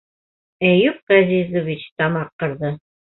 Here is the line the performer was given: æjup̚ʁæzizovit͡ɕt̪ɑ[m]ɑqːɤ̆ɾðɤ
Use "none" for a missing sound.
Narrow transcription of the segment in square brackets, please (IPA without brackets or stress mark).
m